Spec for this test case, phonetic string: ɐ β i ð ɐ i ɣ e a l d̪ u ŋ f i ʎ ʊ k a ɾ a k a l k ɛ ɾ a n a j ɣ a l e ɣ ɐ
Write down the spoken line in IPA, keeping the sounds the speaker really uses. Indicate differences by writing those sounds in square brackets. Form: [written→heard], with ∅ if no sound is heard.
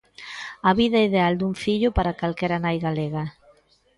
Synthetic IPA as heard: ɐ β i ð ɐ i [ɣ→ð] e a l d̪ u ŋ f i ʎ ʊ [k→p] a ɾ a k a l k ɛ ɾ a n a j ɣ a l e ɣ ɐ